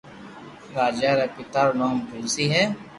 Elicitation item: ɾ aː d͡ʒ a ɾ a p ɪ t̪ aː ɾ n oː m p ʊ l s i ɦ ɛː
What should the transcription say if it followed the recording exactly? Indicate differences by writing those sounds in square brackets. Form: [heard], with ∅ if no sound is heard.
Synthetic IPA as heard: ɾ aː d͡ʒ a ɾ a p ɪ t̪ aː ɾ n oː m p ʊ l s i ɦ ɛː